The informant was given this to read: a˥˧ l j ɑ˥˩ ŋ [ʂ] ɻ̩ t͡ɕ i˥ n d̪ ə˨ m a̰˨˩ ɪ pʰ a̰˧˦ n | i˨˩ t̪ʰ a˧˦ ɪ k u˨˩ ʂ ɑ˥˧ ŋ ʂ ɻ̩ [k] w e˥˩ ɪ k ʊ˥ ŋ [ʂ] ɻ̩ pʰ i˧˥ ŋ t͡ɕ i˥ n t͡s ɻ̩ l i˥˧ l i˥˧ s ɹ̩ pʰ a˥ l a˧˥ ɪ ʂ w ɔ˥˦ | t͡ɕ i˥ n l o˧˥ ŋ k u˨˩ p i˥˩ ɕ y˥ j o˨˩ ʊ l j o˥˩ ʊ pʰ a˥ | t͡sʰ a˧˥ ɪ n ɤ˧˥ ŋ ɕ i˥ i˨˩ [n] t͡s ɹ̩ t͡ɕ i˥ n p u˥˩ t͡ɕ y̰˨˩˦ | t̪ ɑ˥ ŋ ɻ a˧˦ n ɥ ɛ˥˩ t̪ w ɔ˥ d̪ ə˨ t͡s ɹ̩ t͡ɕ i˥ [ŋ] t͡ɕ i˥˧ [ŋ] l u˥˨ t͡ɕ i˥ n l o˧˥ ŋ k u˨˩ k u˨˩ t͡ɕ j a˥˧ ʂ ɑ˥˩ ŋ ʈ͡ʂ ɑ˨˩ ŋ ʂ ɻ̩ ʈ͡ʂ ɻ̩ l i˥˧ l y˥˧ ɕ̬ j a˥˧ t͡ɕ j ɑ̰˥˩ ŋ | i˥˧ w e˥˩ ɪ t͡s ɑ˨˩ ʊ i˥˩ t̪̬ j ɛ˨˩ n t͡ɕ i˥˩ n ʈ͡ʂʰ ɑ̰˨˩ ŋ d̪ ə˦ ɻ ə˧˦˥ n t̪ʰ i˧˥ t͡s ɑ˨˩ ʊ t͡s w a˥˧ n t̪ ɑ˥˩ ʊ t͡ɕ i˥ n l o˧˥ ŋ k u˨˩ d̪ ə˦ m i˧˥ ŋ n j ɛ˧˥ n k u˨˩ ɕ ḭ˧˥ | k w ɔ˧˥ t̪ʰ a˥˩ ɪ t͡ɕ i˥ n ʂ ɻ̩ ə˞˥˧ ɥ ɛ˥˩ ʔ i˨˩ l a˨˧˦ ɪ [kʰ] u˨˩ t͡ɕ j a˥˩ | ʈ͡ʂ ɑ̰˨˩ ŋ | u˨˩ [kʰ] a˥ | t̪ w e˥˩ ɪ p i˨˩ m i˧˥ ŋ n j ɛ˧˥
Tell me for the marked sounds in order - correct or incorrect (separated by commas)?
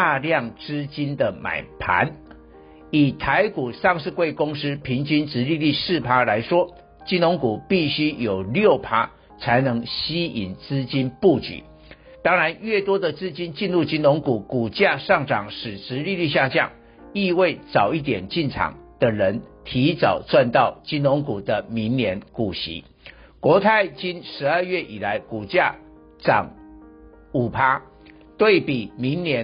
incorrect, correct, correct, correct, incorrect, incorrect, incorrect, incorrect